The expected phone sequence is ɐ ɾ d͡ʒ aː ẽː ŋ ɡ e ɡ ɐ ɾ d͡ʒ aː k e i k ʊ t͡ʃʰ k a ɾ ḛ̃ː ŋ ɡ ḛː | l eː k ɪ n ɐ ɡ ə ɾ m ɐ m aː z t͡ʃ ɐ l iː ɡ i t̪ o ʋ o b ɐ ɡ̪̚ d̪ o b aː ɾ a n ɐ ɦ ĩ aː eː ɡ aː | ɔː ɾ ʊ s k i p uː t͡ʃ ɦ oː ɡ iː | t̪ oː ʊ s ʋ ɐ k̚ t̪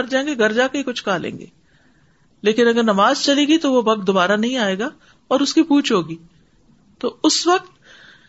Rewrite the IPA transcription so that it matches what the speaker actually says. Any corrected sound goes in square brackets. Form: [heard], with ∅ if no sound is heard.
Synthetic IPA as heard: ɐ ɾ d͡ʒ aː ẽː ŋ ɡ e ɡ ɐ ɾ d͡ʒ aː k e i k ʊ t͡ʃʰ k a [l] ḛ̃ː ŋ ɡ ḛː | l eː k ɪ n ɐ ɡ ə ɾ [n] ɐ m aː z t͡ʃ ɐ l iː ɡ i t̪ o ʋ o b ɐ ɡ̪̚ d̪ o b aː ɾ a n ɐ ɦ ĩ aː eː ɡ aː | ɔː ɾ ʊ s k i p uː t͡ʃ ɦ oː ɡ iː | t̪ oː ʊ s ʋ ɐ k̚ t̪